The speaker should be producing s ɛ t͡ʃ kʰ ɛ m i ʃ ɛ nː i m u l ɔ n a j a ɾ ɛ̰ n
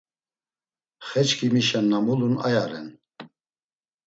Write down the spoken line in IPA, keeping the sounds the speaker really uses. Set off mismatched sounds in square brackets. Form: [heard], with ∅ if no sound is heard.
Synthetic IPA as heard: [χ] ɛ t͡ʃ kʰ [i] m i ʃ ɛ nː [a] m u l [u] n a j a ɾ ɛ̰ n